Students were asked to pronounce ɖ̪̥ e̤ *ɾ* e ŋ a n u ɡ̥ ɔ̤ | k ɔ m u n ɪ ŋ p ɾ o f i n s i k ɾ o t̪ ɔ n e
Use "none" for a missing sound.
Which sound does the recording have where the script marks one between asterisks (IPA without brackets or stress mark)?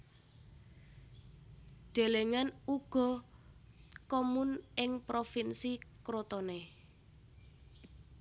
l